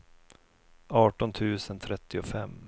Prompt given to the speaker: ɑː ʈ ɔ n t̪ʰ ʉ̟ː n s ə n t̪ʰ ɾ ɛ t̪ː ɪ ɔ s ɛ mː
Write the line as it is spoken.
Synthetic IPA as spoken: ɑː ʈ ɔ n t̪ʰ ʉ̟ː s ə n t̪ʰ ɾ ɛ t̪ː ɪ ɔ f ɛ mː